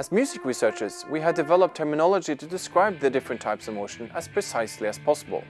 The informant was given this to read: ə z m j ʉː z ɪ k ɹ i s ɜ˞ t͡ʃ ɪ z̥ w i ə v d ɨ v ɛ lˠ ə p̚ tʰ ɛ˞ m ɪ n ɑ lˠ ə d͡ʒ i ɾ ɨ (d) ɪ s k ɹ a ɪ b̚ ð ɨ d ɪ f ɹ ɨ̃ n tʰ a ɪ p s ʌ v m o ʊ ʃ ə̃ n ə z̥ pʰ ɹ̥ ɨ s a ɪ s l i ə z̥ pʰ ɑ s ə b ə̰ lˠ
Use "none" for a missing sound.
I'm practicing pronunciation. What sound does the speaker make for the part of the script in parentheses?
d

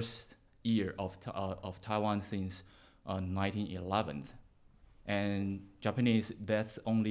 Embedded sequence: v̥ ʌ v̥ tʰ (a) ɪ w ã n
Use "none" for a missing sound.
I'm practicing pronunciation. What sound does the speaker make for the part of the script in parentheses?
a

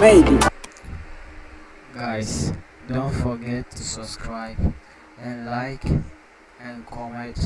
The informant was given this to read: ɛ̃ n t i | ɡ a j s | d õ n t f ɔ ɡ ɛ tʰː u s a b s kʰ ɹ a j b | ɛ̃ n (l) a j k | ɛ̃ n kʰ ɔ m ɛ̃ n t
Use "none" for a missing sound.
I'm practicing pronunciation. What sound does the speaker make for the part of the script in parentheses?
l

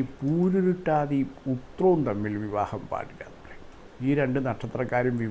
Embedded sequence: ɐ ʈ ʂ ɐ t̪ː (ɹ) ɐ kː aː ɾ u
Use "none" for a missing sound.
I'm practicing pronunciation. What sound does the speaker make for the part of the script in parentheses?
r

